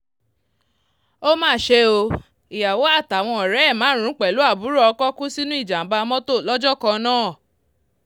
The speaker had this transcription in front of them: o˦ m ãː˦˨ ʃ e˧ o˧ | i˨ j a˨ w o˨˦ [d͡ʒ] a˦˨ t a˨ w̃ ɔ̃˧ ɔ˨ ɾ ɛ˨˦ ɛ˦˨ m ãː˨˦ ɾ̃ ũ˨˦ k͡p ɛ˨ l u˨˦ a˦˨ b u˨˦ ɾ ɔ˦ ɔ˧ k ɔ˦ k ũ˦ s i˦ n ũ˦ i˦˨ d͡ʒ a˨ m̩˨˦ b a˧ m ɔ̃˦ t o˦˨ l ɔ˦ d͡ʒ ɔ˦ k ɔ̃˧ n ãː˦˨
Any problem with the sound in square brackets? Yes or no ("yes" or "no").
yes